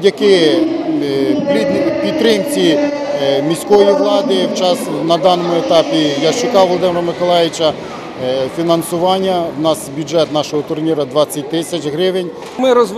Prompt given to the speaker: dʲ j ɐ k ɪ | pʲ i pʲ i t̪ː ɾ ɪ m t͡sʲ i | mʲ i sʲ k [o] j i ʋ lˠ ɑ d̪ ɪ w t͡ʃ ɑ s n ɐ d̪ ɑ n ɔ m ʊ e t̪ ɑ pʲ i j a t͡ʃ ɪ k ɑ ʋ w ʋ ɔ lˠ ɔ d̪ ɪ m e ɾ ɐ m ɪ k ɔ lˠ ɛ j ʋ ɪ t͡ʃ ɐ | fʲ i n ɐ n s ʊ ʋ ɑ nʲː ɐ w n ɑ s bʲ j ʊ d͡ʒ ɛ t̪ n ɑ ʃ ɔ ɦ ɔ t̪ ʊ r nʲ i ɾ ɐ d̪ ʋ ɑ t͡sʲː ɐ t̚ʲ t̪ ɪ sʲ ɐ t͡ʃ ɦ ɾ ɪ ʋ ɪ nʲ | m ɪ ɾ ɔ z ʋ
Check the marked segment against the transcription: incorrect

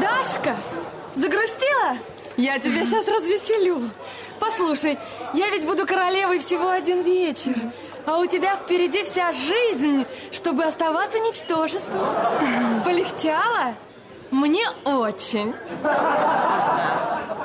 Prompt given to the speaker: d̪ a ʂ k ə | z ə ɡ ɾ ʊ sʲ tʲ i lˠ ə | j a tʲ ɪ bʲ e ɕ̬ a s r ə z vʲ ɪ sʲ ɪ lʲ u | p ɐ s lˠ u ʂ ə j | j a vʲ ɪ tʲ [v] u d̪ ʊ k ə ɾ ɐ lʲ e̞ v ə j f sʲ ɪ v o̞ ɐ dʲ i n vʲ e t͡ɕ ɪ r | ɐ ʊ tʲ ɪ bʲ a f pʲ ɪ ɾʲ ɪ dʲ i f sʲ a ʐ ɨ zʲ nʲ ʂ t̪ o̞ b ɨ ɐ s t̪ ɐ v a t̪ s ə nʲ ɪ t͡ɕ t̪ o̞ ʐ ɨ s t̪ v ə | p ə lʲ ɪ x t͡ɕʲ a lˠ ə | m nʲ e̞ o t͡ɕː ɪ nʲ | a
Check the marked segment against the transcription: incorrect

